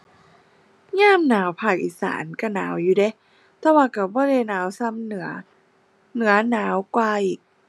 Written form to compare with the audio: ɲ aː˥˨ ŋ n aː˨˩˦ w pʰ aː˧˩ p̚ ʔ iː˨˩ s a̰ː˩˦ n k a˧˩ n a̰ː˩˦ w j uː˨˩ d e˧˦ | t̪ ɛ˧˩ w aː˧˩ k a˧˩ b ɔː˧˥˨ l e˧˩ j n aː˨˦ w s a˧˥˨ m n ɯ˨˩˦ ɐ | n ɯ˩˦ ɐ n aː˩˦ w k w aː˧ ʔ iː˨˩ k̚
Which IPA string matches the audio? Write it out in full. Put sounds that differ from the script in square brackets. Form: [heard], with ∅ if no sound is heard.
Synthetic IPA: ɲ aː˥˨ [m] n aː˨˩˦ w pʰ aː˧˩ [k̚] ʔ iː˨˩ s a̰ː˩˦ n k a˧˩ n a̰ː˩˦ w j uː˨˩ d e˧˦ | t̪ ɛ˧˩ w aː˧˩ k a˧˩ b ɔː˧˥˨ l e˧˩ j n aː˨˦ w s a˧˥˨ m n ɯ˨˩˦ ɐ | n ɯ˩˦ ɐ n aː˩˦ w k w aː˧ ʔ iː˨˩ k̚